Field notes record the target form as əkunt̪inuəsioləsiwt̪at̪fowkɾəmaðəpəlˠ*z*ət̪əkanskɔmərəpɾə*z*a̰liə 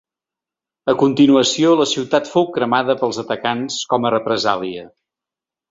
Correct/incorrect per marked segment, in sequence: correct, correct

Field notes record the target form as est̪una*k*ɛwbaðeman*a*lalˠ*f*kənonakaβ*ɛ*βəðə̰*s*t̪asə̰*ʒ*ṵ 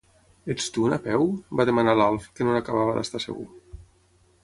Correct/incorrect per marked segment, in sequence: incorrect: p, correct, correct, incorrect: a, correct, incorrect: ɣ

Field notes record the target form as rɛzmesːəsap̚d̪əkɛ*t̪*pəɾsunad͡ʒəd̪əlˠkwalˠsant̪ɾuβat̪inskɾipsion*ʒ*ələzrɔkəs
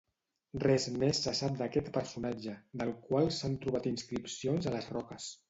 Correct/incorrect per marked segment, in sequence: correct, incorrect: z

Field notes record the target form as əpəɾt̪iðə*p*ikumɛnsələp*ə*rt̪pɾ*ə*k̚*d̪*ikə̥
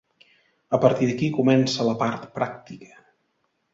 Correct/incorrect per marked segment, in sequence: incorrect: k, incorrect: a, incorrect: a, incorrect: t̪

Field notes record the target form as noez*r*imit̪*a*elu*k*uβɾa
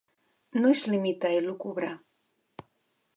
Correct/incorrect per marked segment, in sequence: incorrect: l, correct, correct

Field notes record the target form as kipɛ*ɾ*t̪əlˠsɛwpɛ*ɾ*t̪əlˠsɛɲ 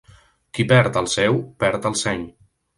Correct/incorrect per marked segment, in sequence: correct, correct

